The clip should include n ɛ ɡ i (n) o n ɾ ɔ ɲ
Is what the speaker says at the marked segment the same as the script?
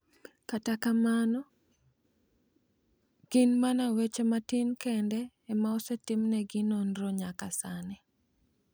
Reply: yes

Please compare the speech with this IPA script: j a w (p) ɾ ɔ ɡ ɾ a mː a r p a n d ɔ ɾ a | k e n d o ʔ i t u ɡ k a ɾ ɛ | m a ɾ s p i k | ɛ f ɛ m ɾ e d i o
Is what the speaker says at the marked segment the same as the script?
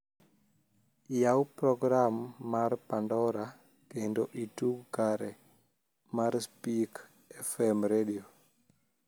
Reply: yes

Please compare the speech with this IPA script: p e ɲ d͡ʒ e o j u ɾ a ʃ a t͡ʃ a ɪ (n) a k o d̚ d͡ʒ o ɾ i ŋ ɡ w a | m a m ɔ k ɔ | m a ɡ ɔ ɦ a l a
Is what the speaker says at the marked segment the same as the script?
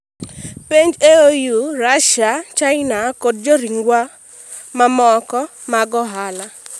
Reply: yes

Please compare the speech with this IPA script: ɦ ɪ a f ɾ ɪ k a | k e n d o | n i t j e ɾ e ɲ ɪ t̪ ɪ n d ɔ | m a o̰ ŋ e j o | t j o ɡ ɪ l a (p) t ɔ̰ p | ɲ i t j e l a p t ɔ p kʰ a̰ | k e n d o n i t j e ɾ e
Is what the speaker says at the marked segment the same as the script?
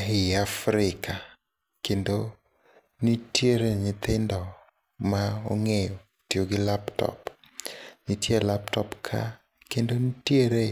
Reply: yes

